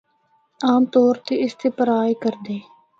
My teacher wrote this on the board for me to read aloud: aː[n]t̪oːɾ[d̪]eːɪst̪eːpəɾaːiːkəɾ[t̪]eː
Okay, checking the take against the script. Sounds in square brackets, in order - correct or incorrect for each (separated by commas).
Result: incorrect, incorrect, incorrect